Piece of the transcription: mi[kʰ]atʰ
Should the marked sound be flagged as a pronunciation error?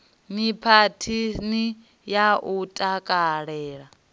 yes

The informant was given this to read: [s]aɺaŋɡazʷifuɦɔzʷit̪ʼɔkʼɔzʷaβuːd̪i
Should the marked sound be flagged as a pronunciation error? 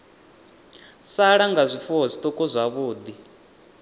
no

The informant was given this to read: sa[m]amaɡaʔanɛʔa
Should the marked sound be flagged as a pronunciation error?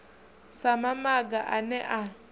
no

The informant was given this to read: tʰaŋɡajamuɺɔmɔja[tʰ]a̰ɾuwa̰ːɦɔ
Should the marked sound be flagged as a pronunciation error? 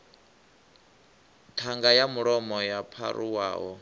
yes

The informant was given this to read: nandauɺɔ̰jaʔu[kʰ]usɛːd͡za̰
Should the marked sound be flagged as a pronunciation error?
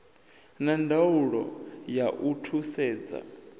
yes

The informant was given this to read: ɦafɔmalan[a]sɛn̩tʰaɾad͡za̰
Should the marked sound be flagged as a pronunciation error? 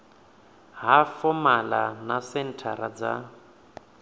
no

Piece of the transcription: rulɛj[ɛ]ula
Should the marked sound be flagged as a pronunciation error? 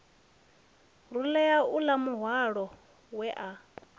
yes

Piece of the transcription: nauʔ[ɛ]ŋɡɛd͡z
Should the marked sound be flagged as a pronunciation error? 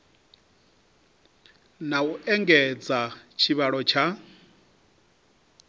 no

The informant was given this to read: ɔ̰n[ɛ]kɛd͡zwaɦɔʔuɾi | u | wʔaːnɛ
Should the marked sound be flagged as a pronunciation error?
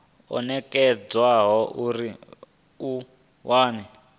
no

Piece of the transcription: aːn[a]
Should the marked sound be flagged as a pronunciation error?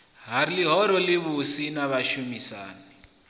yes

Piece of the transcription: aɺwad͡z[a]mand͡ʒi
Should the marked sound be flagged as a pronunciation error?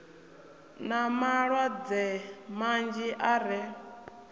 yes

